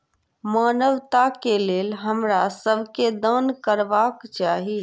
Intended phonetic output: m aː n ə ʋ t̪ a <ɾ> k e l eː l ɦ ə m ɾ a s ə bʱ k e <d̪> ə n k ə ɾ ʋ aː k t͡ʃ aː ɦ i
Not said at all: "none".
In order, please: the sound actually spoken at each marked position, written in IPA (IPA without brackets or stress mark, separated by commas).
none, d̪